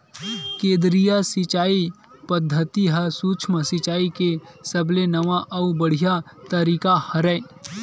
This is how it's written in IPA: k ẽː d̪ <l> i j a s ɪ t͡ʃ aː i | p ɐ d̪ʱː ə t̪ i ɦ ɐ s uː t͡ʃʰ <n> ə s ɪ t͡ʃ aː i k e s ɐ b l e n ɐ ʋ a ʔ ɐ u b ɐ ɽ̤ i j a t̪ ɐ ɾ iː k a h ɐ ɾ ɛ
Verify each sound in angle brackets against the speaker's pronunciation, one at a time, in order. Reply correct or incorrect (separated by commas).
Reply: incorrect, incorrect